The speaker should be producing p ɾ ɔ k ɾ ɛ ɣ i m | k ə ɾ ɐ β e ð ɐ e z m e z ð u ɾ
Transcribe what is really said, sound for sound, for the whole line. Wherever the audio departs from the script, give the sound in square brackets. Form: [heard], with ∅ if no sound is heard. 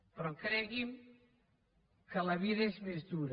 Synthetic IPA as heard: p ɾ ɔ k ɾ ɛ ɣ i m | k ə [l] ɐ β [i] ð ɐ e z m e z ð u ɾ